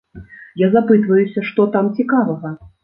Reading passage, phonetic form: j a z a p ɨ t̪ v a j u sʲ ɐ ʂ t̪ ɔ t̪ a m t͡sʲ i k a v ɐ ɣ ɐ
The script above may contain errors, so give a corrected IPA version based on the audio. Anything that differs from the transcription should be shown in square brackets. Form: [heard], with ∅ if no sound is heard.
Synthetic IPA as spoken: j a z a p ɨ t̪ v [ɐ] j u sʲ ɐ ʂ t̪ ɔ t̪ a m t͡sʲ i k a v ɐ ɣ ɐ